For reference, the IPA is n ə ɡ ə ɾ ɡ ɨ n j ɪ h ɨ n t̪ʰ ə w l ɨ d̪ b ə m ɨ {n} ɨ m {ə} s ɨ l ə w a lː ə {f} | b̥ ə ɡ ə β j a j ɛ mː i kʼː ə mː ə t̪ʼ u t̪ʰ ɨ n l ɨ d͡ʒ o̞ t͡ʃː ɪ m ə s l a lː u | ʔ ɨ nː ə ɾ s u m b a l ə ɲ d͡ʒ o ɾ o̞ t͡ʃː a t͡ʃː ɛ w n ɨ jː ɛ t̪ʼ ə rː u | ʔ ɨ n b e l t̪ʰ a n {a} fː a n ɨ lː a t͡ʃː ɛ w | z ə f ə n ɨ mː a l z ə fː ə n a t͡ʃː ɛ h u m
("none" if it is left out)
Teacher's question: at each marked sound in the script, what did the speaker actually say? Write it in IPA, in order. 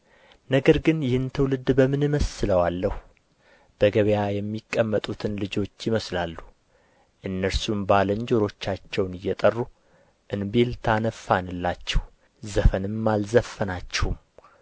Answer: n, ə, h, ə

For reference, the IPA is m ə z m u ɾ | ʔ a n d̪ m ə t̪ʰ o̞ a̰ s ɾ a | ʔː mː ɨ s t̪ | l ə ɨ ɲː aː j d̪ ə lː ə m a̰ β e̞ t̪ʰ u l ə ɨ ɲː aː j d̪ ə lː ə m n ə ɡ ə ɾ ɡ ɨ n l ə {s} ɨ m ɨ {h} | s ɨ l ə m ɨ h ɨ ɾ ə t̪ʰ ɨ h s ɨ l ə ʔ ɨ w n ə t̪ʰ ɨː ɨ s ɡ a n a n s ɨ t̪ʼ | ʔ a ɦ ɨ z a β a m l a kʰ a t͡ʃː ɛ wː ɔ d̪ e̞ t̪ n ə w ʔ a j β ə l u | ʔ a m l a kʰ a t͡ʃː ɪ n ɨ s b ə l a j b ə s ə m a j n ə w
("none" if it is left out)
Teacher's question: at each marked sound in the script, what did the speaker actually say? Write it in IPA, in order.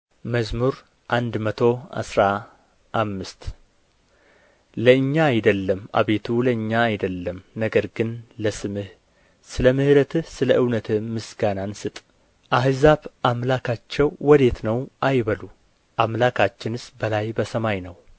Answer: s, h

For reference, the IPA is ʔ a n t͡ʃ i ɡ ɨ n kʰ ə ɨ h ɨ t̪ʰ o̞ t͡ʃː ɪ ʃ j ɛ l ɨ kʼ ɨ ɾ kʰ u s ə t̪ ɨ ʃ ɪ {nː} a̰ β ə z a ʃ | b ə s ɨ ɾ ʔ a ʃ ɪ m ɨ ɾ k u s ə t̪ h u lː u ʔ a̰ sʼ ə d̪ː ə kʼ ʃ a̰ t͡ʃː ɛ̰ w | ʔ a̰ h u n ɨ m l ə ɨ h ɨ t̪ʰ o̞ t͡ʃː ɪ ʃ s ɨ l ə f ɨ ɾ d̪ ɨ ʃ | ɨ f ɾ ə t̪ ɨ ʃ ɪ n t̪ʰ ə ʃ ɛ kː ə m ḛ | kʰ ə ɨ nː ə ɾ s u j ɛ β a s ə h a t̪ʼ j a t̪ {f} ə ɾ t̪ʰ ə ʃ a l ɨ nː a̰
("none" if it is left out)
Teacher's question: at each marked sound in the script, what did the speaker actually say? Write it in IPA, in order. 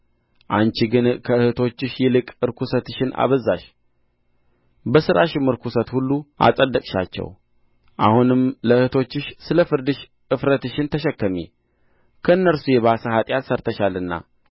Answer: n, s

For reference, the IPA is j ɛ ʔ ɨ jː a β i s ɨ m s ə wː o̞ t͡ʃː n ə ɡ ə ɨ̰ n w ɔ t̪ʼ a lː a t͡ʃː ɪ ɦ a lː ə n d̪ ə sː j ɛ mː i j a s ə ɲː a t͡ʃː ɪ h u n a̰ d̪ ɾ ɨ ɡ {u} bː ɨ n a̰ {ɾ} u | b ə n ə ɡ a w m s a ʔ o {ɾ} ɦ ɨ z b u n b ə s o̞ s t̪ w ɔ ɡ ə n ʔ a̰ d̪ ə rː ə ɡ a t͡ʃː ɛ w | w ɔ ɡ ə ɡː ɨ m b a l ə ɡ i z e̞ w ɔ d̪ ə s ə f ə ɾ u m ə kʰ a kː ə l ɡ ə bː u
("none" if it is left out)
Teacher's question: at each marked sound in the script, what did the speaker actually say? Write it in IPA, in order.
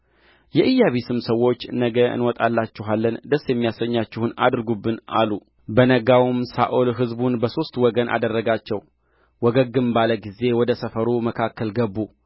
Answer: u, l, l

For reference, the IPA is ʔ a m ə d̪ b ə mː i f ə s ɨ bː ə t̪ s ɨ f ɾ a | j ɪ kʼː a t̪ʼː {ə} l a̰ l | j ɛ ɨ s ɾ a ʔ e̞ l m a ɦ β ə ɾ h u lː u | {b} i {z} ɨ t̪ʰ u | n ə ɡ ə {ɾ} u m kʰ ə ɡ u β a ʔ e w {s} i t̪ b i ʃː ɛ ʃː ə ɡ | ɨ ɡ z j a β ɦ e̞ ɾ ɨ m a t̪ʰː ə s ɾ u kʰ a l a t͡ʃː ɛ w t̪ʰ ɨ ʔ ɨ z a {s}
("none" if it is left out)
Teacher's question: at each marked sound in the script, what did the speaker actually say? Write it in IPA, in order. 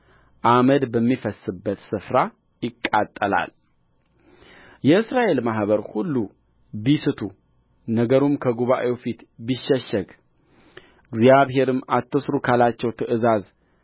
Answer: ə, b, s, ɾ, f, z

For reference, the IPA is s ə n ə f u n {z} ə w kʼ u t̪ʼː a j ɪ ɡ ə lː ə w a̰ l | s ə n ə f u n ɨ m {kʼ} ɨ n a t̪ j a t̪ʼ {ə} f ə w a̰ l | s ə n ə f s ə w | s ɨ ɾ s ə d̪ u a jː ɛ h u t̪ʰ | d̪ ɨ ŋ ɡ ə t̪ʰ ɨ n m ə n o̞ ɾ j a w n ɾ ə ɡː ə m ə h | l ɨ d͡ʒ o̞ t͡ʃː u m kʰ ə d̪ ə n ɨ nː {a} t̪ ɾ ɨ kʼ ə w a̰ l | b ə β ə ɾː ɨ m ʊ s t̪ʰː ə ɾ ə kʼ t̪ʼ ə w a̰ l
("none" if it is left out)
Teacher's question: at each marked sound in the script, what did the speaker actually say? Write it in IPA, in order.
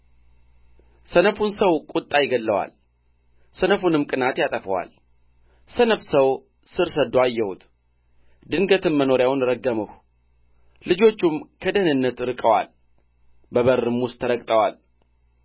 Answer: s, kʼ, ə, ə

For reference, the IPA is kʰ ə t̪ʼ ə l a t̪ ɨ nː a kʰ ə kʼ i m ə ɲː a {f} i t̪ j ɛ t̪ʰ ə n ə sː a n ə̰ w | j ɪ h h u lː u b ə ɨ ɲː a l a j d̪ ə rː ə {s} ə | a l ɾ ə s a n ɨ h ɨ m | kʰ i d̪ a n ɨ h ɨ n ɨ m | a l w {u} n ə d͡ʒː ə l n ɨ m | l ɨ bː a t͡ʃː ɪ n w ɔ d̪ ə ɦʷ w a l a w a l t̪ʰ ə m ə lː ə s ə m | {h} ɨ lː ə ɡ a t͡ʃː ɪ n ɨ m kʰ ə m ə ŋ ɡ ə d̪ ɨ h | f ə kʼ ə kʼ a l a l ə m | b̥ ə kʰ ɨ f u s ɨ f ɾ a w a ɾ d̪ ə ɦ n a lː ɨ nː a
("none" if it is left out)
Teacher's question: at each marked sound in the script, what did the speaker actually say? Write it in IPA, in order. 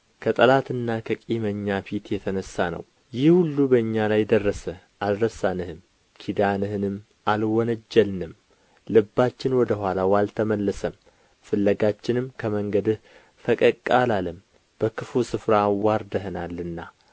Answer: f, s, ɔ, f

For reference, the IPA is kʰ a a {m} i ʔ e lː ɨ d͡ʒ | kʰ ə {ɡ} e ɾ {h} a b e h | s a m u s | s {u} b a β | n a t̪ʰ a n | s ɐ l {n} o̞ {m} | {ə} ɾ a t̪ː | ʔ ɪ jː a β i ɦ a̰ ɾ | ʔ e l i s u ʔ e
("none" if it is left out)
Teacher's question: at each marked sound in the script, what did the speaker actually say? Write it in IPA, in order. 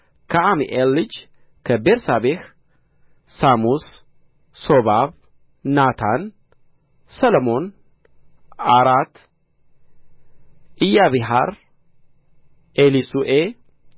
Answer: m, b, s, o, m, n, a

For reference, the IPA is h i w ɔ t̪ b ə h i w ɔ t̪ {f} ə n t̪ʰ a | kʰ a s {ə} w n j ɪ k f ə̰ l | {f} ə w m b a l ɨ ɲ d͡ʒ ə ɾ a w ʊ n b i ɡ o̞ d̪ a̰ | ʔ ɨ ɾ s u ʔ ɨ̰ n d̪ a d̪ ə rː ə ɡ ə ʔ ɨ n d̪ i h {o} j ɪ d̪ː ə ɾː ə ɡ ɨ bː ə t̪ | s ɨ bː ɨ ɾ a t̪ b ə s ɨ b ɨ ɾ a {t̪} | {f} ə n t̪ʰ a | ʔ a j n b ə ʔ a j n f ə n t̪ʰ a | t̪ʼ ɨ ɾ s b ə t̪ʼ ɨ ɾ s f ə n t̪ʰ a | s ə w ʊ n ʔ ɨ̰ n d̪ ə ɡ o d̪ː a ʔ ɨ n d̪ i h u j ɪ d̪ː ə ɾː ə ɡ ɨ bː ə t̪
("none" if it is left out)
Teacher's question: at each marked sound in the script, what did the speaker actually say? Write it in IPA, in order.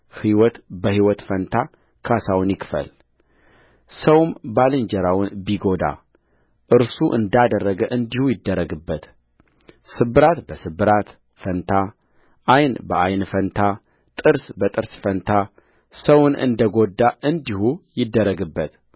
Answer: f, a, s, u, t̪, f

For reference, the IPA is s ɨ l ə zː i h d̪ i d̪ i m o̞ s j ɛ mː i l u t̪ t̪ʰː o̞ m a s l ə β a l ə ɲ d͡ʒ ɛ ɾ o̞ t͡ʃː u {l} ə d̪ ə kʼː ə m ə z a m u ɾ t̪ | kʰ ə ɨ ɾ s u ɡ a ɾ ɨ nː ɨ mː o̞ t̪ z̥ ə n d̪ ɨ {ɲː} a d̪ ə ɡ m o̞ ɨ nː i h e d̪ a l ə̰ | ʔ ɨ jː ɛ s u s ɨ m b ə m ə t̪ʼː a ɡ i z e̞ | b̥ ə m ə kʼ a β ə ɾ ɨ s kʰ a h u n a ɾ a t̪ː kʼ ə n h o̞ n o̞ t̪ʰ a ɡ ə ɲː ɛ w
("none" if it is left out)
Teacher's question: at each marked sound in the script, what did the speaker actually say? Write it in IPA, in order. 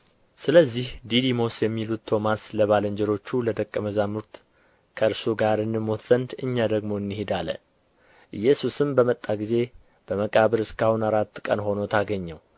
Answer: l, ɲː

